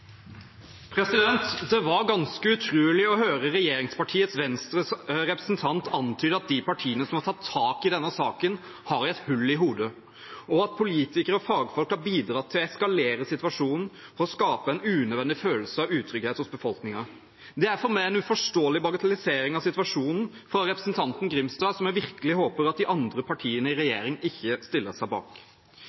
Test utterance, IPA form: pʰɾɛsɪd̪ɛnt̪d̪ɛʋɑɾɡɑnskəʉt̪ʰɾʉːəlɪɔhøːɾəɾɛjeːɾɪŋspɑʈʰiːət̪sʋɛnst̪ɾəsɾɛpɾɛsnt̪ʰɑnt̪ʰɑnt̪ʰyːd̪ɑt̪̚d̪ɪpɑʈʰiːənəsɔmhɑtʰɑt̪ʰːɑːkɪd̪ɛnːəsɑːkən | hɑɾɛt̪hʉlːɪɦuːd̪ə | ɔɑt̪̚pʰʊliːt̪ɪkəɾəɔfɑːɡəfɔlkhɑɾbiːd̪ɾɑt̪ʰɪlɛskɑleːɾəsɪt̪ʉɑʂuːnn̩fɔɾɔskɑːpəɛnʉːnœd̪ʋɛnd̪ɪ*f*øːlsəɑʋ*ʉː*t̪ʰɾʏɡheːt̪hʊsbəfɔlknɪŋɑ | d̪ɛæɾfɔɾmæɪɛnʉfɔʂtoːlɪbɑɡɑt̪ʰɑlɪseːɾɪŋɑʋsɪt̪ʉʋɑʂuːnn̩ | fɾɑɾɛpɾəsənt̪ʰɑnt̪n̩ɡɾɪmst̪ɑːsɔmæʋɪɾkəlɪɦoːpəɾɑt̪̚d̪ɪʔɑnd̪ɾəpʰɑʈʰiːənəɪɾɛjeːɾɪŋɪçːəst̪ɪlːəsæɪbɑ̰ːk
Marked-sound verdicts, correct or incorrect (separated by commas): correct, correct